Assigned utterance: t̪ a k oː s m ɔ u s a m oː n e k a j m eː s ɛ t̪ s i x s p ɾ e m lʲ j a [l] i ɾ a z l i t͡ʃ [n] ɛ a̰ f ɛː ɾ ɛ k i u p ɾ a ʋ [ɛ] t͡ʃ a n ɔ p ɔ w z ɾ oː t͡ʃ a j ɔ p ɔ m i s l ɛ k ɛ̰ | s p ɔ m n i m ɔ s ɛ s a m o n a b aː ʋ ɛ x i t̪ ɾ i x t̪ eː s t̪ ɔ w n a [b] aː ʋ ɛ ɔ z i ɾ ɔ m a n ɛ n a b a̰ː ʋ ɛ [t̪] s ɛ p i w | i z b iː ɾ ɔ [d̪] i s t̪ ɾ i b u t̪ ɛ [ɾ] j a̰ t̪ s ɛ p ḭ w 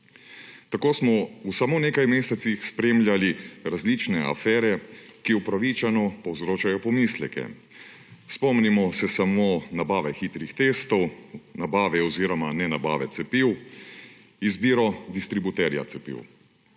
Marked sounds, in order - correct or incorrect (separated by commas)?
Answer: correct, correct, incorrect, correct, correct, correct, correct